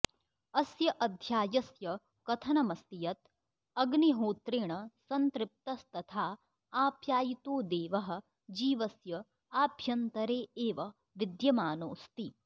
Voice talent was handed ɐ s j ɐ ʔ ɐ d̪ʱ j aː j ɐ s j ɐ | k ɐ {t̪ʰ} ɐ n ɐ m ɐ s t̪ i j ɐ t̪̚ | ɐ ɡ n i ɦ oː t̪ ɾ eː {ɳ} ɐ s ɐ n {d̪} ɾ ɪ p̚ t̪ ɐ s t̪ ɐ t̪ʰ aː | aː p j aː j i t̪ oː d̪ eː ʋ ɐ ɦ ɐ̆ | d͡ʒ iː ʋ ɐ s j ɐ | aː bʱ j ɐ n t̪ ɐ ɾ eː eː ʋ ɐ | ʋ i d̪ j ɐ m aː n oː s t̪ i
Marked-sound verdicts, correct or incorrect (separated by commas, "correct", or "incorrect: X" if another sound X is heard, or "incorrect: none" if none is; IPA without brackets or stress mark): correct, correct, incorrect: t̪